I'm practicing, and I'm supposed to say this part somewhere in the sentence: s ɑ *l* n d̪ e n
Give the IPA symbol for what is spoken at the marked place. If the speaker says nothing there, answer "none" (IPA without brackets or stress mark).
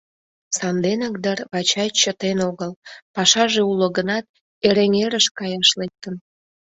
none